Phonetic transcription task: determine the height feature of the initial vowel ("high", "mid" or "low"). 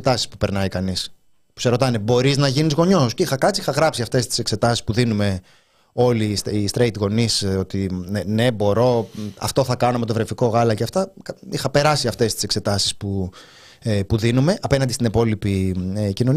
low